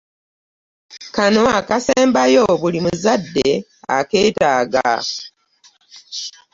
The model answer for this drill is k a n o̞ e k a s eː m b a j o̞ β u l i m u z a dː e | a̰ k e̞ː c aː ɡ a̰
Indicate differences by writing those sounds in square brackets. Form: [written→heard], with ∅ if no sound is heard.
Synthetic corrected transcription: k a n o̞ [e→a] k a s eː m b a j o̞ β u l i m u z a dː e | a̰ k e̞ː [c→t] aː ɡ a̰

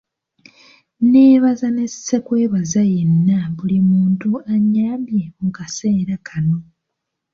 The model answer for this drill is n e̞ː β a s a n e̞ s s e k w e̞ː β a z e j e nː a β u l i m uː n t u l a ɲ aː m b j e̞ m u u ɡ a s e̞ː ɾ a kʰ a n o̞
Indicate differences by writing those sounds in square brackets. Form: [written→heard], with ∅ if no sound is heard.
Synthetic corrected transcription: n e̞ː β a [s→z] a n e̞ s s e k w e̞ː β a z [e→a] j e nː a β u l i m uː n t u [l→∅] a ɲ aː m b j e̞ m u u [ɡ→k] a s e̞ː ɾ a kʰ a n o̞

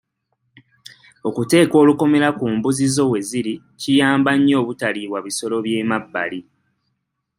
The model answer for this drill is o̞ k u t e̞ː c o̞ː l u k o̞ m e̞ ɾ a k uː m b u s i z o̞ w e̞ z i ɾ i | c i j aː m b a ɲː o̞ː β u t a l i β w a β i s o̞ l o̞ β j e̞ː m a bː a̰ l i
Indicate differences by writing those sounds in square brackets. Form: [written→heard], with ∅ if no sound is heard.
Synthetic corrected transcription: o̞ k u t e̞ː [c→k] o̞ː l u k o̞ m e̞ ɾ a k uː m b u [s→z] i z o̞ w e̞ z i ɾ i | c i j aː m b a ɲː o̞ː β u t a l i β w a β i s o̞ l o̞ β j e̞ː m a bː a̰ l i

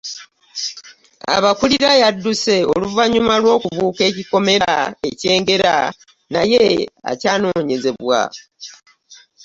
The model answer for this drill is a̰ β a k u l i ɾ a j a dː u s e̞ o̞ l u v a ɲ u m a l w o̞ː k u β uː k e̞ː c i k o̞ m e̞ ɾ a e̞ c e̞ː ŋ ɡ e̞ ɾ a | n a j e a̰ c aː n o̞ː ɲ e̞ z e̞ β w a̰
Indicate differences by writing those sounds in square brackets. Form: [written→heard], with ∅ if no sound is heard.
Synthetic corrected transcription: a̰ β a k u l i ɾ a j a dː u s e̞ o̞ l u v a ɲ u m a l w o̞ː k u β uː k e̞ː c i k o̞ m e̞ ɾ a e̞ c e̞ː ŋ ɡ e̞ ɾ a | n a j e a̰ c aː n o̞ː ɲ e̞ z e̞ β w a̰

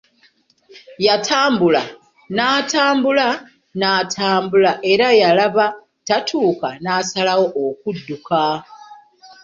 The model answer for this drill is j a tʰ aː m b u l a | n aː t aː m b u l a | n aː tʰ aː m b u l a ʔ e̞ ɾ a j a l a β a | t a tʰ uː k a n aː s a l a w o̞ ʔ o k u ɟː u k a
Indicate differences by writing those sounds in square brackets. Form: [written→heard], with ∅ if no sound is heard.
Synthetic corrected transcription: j a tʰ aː m b u l a | n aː t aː m b u l a | n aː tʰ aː m b u l a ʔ e̞ ɾ a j a l a β a | t a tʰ uː k a n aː s a l a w o̞ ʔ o k u [ɟː→dː] u k a

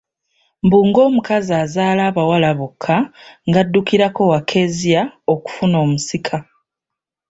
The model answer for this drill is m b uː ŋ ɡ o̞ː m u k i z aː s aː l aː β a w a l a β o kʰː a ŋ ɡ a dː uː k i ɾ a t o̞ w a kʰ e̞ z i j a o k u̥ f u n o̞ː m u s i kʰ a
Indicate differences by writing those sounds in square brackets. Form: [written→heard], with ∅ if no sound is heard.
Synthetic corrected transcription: m b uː ŋ ɡ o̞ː m u k [i→a] z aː [s→z] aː l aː β a w a l a β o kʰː a ŋ ɡ a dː [uː→u] k i ɾ a [t→k] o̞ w a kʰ e̞ z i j a o k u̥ f u n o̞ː m u s i kʰ a

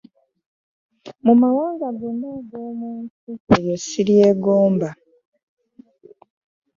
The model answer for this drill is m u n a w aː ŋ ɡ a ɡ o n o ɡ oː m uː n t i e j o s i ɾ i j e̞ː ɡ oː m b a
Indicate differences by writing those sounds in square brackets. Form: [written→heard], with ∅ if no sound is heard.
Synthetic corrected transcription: m u [n→m] a w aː ŋ ɡ a ɡ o n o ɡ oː m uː n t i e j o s i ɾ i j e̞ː ɡ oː m b a

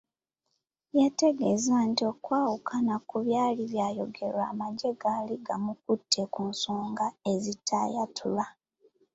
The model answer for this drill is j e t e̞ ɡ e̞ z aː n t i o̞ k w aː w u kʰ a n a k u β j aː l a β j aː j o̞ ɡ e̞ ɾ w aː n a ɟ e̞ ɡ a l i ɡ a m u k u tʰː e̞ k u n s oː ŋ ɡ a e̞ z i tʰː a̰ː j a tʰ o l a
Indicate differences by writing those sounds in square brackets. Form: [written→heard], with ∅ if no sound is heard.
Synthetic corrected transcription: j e t e̞ ɡ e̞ z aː n t i o̞ k w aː w u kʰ a n a k u β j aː l [a→i] β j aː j o̞ ɡ e̞ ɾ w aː [n→m] a ɟ e̞ ɡ a l i ɡ a m u k u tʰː e̞ k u n s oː ŋ ɡ a e̞ z i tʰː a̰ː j a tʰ [o→u] l a

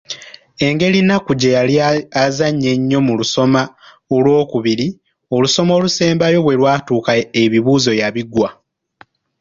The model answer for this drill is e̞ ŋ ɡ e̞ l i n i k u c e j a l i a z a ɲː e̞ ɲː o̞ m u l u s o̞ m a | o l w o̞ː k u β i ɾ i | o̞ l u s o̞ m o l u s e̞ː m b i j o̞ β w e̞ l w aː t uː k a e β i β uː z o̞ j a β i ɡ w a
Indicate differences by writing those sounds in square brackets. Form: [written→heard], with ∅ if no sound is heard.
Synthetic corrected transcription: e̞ ŋ ɡ e̞ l i n [i→a] k u [c→ɟ] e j a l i a z a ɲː e̞ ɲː o̞ m u l u s o̞ m a | o l w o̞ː k u β i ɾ i | o̞ l u s o̞ m o l u s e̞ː m b [i→a] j o̞ β w e̞ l w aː t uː k a e β i β uː z o̞ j a β i ɡ w a

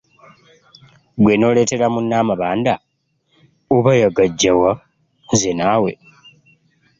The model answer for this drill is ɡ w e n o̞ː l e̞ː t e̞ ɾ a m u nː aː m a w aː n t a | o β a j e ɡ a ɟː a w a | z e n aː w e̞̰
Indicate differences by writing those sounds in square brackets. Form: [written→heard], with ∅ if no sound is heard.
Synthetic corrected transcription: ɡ w e n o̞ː l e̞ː t e̞ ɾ a m u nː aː m a [w→β] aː n [t→d] a | o β a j [e→a] ɡ a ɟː a w a | z e n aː w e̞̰

